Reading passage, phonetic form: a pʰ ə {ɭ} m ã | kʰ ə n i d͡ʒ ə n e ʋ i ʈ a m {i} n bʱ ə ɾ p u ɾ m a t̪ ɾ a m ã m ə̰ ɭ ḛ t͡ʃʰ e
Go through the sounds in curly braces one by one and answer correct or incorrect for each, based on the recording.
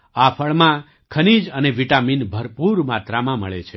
correct, correct

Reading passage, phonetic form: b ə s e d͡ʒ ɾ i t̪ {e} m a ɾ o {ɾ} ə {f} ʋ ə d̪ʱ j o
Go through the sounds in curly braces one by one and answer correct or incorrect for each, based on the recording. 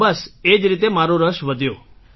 correct, correct, incorrect

